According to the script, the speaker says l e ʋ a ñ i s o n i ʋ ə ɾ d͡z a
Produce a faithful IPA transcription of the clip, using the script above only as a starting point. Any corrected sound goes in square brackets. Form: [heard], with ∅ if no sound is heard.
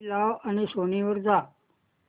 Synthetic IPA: l [a] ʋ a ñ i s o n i ʋ ə ɾ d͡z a